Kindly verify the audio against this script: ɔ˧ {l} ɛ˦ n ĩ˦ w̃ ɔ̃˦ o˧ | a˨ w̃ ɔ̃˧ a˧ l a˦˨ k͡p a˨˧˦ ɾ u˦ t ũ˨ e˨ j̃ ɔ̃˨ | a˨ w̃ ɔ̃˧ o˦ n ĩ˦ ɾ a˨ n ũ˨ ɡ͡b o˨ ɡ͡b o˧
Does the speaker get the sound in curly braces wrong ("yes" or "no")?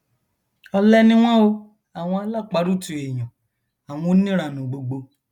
no